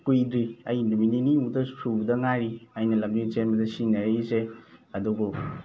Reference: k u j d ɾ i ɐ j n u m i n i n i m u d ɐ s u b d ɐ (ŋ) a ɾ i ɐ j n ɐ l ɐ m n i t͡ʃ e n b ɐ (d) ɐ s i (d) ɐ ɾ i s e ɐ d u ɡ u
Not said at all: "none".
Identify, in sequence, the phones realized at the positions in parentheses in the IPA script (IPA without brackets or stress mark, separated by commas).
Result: ŋ, d, n